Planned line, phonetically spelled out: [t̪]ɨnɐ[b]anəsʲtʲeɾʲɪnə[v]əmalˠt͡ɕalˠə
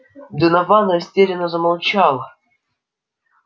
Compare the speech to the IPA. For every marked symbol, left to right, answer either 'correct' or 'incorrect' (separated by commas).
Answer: incorrect, incorrect, incorrect